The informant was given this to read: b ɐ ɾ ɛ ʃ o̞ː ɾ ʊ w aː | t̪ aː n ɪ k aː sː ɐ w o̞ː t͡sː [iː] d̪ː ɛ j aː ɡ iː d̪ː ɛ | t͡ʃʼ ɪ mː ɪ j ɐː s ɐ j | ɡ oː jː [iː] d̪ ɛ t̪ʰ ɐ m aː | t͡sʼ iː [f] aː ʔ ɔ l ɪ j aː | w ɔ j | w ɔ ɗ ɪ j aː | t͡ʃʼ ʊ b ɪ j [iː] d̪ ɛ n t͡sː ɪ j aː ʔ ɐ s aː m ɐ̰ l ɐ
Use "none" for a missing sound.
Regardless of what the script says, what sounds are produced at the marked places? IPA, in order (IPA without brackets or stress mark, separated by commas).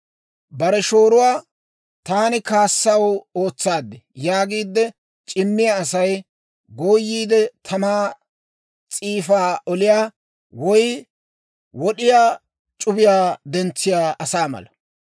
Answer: aː, iː, f, aː